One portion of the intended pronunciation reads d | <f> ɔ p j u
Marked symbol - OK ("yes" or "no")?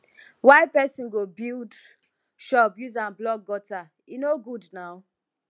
no